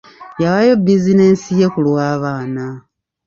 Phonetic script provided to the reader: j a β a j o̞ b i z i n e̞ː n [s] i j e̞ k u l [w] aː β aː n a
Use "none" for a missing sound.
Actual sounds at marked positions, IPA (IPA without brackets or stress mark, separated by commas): s, w